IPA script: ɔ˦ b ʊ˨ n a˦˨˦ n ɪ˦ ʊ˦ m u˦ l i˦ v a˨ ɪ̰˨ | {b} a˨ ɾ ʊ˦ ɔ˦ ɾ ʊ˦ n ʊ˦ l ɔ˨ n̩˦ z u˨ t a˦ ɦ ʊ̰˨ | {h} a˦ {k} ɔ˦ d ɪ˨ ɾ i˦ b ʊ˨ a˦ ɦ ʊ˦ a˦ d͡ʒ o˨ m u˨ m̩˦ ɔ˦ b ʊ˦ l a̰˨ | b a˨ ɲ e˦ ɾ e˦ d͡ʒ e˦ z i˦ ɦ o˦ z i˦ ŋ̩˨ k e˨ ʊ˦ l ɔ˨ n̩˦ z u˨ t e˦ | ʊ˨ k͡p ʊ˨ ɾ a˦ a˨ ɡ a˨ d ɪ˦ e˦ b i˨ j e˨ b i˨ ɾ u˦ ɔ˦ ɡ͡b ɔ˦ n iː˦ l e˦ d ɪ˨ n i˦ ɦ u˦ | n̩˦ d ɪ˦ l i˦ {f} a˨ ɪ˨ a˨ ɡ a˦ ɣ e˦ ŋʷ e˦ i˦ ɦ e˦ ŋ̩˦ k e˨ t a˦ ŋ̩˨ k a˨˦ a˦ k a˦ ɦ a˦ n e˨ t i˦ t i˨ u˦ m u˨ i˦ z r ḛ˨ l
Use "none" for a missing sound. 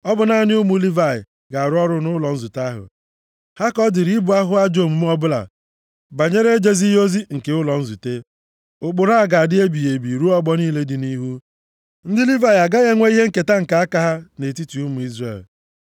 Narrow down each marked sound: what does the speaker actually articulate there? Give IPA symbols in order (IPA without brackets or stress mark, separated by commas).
ɡ, h, k, v